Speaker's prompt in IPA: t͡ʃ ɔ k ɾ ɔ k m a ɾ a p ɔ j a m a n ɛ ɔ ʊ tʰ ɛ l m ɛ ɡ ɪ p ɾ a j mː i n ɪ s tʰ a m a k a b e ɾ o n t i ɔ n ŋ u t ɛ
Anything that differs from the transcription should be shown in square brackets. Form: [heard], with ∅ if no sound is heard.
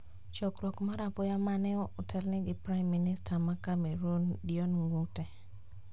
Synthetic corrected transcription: t͡ʃ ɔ k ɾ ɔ k m a ɾ a p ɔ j a m a n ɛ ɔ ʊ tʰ ɛ l [n] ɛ ɡ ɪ p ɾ a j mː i n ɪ s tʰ a m a k a [m] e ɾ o n [d] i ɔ n ŋ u t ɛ